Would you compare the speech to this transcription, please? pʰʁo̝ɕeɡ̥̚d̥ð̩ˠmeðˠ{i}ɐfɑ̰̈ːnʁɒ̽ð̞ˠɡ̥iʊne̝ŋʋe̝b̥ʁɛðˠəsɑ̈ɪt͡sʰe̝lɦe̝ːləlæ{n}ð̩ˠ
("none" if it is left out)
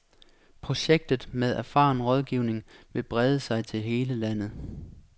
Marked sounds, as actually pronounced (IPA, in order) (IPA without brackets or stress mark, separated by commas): æ, n